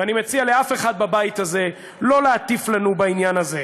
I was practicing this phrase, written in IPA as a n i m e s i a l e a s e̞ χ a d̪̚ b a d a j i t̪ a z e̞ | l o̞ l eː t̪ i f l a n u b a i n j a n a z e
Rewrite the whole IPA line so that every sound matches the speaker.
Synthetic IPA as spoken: a n i m e t͡s i a l e a f e̞ χ a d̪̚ b a b a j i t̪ a z e̞ | l o̞ l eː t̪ i f l a n u b a i n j a n a z e